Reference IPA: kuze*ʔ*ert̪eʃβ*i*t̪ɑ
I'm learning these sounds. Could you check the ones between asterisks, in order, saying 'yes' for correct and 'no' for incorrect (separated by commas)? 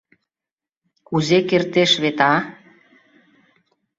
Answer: no, no